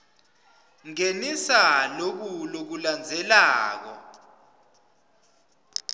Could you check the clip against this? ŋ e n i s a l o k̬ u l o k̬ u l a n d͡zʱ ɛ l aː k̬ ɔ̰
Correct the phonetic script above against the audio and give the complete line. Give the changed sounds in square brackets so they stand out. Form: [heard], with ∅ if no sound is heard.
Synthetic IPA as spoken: ŋ e n i s a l o k̬ u l o k̬ u l a n d͡zʱ ɛ l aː k̬ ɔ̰